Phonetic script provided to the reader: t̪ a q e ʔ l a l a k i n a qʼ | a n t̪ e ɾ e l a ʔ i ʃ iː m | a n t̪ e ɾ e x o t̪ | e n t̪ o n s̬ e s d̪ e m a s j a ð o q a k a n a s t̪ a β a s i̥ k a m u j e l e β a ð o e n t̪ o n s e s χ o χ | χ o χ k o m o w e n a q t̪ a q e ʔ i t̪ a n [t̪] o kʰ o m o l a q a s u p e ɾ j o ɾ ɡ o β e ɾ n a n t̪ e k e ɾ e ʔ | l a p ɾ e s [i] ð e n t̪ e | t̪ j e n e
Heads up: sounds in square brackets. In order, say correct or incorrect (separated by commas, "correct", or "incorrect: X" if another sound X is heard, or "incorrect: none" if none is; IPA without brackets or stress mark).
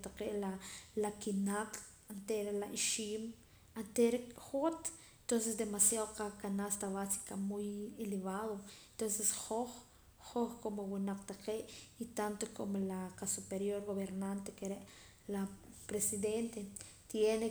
correct, correct